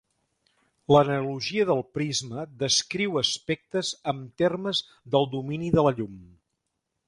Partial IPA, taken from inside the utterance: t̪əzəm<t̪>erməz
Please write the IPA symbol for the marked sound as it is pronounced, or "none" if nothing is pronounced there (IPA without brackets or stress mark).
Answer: t̪